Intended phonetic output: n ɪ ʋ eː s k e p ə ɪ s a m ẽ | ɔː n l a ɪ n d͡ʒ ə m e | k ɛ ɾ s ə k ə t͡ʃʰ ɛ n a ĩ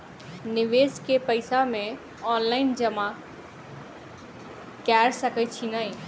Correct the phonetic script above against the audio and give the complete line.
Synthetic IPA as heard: n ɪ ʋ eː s k e p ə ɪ s a m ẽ | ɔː n l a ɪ n d͡ʒ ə m a | k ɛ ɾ s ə k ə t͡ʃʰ i n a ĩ